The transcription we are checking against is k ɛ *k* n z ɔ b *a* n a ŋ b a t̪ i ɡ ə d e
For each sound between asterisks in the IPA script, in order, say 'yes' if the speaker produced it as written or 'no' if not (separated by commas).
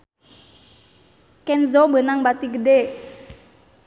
no, no